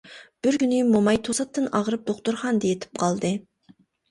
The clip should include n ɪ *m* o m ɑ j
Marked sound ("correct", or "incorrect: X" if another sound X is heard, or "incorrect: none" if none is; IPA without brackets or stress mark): correct